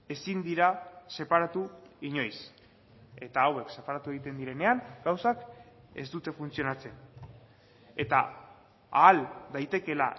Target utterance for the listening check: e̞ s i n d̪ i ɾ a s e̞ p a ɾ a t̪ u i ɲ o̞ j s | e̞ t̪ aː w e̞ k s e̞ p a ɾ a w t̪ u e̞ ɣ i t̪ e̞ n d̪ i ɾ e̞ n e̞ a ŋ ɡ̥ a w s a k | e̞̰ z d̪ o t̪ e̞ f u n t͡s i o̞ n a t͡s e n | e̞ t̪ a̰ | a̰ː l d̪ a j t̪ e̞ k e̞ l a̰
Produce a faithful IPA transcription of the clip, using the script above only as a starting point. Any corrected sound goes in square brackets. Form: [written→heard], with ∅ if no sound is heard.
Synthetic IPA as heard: e̞ s i n d̪ i ɾ a s e̞ p a ɾ a t̪ u i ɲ o̞ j s | e̞ t̪ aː w e̞ k s e̞ p a ɾ a [w→∅] t̪ u e̞ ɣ i t̪ e̞ n d̪ i ɾ e̞ n e̞ a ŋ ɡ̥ a w s a k | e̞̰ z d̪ [o→u] t̪ e̞ f u n t͡s i o̞ n a t͡s e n | e̞ t̪ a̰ | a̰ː l d̪ a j t̪ e̞ k e̞ l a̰